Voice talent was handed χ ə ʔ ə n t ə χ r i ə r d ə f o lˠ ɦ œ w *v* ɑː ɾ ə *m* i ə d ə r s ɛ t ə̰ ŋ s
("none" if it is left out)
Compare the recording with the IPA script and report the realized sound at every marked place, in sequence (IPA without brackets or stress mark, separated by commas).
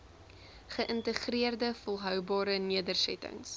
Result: b, n